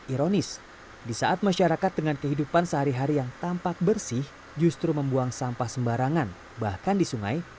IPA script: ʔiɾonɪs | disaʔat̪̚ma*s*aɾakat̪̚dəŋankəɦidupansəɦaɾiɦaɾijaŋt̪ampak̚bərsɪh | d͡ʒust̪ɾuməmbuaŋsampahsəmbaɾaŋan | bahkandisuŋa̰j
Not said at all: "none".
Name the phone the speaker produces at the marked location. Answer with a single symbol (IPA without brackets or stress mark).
ʃ